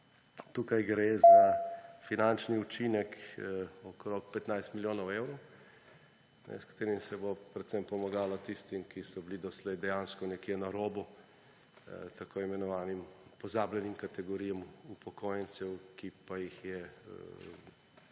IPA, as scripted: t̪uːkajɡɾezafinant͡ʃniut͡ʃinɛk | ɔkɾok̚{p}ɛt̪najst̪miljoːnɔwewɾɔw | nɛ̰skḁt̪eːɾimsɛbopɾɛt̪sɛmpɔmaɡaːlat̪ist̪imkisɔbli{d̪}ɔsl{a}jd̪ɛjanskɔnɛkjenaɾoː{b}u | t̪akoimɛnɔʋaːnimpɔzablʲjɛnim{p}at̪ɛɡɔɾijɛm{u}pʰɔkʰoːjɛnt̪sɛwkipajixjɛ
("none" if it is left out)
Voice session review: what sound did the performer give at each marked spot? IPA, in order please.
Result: p, d̪, ɛ, b, k, u

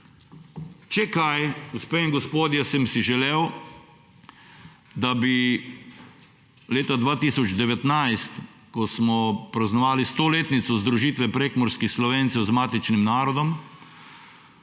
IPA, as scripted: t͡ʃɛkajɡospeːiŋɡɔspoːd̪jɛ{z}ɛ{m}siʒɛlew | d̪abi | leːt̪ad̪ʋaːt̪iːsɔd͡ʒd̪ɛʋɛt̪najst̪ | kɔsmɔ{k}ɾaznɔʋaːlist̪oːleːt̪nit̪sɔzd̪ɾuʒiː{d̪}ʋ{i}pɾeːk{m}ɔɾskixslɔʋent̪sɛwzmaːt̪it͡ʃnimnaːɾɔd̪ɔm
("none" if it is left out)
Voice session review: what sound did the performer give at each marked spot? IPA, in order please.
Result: s, m, p, t̪, ɛ, m

